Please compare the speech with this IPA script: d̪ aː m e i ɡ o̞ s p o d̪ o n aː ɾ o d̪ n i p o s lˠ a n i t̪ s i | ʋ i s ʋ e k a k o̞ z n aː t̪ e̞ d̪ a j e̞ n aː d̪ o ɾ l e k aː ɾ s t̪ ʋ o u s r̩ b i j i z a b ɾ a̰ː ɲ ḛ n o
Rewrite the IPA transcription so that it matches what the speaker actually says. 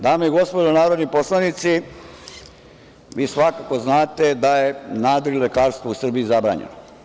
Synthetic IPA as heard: d̪ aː m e i ɡ o̞ s p o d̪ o n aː ɾ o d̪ n i p o s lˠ a n i t̪ s i | ʋ iː s ʋ a k a k o̞ z n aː t̪ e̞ d̪ a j e̞ n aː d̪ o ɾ l e k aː ɾ s t̪ ʋ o u s r̩ b i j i z a b ɾ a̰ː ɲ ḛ n o